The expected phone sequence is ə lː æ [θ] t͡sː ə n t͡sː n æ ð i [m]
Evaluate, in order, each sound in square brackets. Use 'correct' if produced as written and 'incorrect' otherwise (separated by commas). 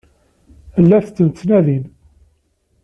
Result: correct, incorrect